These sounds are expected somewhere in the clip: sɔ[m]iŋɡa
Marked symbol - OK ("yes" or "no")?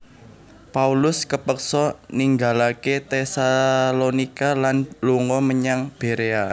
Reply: no